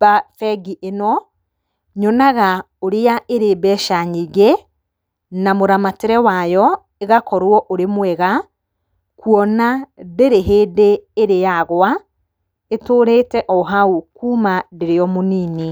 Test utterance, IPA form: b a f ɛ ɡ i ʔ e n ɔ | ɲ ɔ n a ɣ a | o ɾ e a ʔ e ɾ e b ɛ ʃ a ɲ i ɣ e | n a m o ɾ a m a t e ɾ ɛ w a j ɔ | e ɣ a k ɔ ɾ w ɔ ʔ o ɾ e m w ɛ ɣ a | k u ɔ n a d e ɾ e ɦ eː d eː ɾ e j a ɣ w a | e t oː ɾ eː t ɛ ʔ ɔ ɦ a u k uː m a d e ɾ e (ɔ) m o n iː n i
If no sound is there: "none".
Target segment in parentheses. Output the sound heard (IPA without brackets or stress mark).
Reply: ɔ